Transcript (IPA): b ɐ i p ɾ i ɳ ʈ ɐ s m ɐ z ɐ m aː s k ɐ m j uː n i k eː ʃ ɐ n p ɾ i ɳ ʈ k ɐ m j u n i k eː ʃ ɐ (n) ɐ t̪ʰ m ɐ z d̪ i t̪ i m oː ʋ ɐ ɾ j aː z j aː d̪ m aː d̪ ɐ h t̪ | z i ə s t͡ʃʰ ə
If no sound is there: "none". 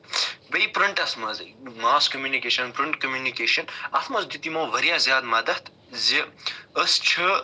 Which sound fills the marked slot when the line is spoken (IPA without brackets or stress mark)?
n